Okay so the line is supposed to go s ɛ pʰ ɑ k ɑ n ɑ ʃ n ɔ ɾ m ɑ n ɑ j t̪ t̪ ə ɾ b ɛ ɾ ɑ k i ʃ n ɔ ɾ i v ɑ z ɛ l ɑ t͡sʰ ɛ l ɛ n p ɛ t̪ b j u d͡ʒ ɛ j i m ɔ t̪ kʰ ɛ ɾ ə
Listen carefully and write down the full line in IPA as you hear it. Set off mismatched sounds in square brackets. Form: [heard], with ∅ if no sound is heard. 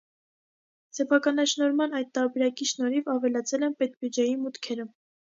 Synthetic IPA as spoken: s ɛ pʰ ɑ k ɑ n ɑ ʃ n ɔ ɾ m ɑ n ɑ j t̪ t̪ [ɑ] ɾ b ɛ ɾ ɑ k i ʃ n ɔ ɾ i v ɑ [v] ɛ l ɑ t͡sʰ ɛ l ɛ n p ɛ t̪ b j u d͡ʒ ɛ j i m [u] t̪ kʰ ɛ ɾ ə